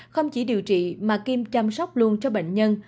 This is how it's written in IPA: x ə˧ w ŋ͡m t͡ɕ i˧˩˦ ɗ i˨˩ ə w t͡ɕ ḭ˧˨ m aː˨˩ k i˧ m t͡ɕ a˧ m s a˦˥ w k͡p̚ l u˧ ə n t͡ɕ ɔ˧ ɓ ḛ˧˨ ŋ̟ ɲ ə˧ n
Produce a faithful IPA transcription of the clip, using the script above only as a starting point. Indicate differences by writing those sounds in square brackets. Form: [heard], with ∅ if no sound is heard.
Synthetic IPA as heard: x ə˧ w ŋ͡m t͡ɕ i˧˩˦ ɗ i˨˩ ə w t͡ɕ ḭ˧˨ m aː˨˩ k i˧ m t͡ɕ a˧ m s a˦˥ w k͡p̚ l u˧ ə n t͡ɕ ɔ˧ ɓ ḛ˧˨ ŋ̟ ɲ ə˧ n